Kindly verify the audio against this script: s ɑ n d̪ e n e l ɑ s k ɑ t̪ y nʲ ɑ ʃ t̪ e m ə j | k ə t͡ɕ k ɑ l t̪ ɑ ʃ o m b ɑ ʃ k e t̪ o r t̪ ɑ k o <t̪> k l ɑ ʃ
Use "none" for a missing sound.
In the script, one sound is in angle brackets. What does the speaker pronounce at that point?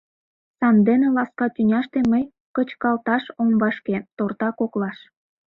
none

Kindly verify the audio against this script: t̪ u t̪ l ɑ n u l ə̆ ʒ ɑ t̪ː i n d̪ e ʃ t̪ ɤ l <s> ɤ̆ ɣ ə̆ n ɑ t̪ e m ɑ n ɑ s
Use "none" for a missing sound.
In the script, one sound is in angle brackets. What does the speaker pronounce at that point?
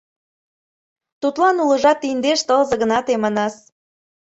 z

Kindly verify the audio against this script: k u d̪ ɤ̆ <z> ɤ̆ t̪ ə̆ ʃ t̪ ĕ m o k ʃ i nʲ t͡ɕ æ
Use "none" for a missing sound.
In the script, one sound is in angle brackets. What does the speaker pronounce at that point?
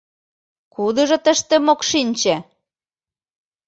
ʒ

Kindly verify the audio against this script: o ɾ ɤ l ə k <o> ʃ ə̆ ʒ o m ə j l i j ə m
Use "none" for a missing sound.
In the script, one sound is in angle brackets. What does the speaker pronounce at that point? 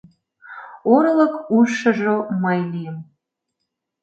u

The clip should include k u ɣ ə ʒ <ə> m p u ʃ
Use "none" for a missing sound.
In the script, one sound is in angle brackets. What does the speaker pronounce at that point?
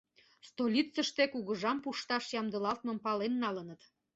ɑ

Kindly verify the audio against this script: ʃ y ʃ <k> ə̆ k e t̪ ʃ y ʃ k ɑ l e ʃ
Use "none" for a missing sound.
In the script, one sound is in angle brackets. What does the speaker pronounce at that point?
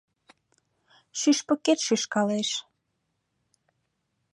p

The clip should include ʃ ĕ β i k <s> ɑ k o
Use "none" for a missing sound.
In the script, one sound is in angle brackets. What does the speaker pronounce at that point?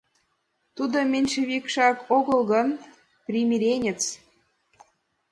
ʃ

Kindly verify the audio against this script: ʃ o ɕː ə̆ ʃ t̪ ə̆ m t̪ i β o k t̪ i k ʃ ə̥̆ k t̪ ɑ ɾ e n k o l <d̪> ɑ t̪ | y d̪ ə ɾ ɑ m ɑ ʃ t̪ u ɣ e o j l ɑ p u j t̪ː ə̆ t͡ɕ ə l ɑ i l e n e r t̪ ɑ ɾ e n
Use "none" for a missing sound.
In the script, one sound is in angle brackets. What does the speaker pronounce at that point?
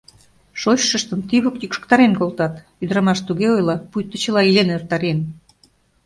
t̪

